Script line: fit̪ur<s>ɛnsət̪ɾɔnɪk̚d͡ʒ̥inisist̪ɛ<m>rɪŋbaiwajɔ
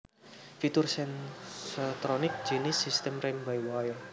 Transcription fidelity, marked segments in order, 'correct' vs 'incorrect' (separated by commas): correct, correct